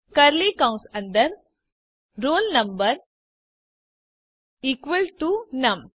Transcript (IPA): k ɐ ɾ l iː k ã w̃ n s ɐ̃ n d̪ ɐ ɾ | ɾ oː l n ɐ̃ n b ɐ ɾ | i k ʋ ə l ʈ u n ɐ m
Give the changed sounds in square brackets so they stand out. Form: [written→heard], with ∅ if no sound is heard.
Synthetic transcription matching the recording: k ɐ ɾ l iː k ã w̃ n s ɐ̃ n d̪ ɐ ɾ | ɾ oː l n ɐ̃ [n→m] b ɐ ɾ | i k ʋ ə l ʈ u n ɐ m